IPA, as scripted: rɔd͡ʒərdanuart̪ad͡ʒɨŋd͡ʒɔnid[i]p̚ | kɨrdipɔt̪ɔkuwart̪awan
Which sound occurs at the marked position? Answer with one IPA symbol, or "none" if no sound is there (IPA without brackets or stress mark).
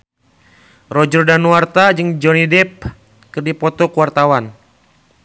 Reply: ɛ